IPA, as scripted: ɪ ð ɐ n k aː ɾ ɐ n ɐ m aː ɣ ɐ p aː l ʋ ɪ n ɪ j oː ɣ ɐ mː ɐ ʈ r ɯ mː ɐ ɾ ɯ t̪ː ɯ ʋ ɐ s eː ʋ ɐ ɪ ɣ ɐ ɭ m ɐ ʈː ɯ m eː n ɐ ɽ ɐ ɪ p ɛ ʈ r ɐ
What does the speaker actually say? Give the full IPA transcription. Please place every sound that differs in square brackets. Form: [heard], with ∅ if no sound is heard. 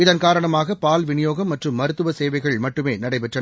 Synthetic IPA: ɪ ð ɐ n k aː ɾ ɐ [ɳ] ɐ m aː ɣ ɐ p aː l ʋ ɪ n ɪ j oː ɣ ɐ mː ɐ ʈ r ɯ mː ɐ ɾ ɯ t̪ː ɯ ʋ ɐ s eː ʋ ɐ ɪ ɣ ɐ ɭ m ɐ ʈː ɯ m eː n ɐ ɽ ɐ ɪ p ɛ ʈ r ɐ